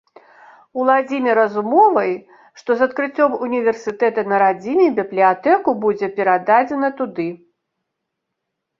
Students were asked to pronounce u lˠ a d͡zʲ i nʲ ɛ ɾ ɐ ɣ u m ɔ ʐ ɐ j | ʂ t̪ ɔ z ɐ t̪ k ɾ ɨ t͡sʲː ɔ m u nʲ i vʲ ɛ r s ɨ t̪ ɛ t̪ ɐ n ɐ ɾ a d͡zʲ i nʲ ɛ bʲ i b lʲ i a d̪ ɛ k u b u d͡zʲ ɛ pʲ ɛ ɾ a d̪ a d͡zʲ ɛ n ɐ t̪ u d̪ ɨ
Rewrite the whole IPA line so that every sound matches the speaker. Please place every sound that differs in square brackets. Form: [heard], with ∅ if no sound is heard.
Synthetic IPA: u lˠ a d͡zʲ i [mʲ] ɛ ɾ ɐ [z] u m ɔ [v] ɐ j | ʂ t̪ ɔ z ɐ t̪ k ɾ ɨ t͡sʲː ɔ m u nʲ i vʲ ɛ r s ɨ t̪ ɛ t̪ ɐ n ɐ ɾ a d͡zʲ i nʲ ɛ bʲ i b lʲ i a [t̪] ɛ k u b u d͡zʲ ɛ pʲ ɛ ɾ a d̪ a d͡zʲ ɛ n ɐ t̪ u d̪ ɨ